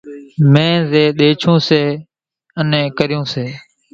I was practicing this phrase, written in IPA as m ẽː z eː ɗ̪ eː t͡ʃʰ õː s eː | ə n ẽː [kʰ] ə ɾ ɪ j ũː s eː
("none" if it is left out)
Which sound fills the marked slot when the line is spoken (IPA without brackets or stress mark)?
k